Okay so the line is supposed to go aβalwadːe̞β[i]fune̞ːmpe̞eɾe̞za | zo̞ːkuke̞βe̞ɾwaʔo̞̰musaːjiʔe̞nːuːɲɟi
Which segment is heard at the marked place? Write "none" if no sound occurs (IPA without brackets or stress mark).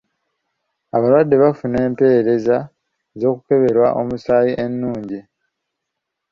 a